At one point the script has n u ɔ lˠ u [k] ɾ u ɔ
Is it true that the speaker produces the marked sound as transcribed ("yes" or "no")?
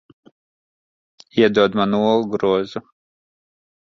no